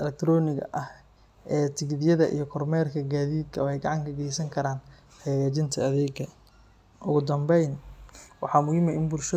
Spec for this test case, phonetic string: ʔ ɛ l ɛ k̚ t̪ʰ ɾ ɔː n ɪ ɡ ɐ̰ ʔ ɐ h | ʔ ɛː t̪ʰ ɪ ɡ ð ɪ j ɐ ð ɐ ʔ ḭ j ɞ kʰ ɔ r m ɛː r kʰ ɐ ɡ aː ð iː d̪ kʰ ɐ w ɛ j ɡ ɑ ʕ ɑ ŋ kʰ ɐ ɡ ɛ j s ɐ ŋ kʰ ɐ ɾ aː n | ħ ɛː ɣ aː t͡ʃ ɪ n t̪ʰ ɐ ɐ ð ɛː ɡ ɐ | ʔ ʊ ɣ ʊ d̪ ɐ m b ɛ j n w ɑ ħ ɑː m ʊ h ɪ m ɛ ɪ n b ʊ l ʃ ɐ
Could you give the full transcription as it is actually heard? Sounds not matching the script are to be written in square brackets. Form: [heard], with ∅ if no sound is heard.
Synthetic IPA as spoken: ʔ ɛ l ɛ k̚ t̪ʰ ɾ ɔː n ɪ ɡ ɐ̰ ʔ ɐ h | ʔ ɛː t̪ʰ ɪ ɡ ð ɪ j ɐ ð ɐ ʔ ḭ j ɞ kʰ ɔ r m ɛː r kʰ ɐ ɡ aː ð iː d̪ kʰ ɐ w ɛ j ɡ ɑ ʕ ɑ ŋ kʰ ɐ ɡ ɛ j s ɐ ŋ kʰ ɐ ɾ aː n | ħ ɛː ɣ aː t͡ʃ ɪ n t̪ʰ ɐ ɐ ð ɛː ɡ ɐ | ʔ ʊ ɣ ʊ d̪ ɐ m b ɛ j n w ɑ ħ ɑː m ʊ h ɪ m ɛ ɪ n b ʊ l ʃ ɐ